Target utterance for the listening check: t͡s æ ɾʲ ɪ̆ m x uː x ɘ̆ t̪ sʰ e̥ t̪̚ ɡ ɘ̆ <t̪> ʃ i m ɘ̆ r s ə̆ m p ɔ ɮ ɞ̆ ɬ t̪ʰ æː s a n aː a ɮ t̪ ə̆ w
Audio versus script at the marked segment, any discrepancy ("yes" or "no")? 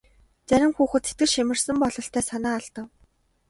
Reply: yes